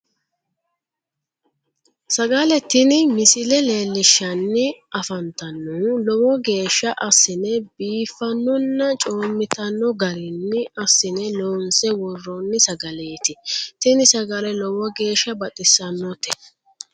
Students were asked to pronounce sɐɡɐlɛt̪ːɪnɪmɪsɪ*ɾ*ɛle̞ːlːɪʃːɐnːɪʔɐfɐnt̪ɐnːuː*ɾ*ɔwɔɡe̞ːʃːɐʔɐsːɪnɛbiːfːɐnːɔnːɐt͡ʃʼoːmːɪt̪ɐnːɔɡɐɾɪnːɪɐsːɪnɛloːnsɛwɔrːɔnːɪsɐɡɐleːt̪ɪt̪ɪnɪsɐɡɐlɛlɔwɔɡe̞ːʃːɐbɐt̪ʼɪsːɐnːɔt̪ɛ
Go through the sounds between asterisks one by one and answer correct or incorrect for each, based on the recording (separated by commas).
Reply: incorrect, incorrect